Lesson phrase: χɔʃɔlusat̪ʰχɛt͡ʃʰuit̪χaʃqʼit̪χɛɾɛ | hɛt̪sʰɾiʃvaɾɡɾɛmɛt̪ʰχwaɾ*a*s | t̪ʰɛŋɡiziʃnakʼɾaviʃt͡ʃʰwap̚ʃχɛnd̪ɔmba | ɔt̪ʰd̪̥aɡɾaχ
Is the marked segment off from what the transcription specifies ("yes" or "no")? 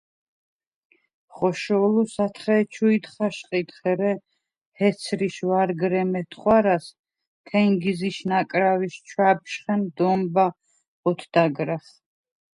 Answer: no